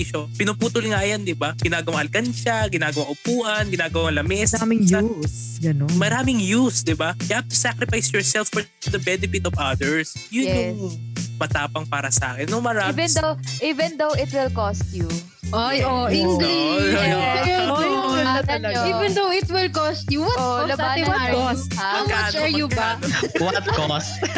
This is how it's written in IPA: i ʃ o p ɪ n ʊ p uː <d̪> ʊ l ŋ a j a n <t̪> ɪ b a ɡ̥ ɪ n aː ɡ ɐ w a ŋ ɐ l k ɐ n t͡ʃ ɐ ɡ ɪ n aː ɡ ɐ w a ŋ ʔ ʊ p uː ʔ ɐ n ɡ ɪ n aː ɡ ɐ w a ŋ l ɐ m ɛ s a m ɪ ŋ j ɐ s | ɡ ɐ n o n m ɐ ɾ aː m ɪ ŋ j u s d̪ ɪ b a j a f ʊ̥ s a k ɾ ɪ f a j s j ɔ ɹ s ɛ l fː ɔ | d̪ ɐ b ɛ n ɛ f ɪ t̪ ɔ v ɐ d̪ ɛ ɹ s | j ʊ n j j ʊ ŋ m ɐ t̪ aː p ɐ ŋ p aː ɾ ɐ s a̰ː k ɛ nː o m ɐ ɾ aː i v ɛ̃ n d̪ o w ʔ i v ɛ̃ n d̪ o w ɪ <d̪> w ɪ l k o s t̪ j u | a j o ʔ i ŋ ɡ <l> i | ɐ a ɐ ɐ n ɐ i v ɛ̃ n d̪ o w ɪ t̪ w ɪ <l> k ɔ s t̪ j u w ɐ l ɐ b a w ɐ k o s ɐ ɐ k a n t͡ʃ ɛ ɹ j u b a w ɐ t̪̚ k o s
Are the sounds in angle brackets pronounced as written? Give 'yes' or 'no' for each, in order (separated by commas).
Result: no, no, no, yes, yes